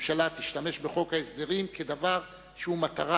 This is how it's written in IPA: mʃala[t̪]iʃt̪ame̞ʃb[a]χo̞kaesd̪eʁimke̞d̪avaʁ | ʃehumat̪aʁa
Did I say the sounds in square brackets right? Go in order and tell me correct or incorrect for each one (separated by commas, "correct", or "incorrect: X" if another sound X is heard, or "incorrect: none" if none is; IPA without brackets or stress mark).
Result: correct, incorrect: e